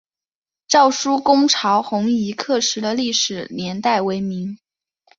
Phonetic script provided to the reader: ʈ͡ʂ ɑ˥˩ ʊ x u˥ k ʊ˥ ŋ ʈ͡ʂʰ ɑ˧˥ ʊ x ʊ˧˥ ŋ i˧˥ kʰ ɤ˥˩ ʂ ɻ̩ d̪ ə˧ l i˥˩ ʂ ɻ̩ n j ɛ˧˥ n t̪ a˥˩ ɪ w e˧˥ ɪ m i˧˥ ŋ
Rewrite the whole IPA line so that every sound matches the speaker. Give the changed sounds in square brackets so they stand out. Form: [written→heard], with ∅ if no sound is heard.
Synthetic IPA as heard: ʈ͡ʂ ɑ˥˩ ʊ [x→ʂ] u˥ k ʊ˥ ŋ ʈ͡ʂʰ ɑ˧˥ ʊ x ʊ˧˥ ŋ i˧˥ kʰ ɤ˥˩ ʂ ɻ̩ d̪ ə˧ l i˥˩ ʂ ɻ̩ n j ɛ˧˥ n t̪ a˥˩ ɪ w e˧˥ ɪ m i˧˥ ŋ